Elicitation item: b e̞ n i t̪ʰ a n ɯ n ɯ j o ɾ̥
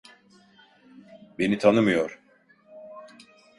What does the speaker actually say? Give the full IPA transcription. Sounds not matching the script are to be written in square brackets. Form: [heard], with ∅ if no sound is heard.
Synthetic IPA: b e̞ n i t̪ʰ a n ɯ [m] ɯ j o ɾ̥